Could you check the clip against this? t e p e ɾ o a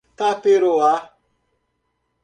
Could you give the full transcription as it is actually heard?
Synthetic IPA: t a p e ɾ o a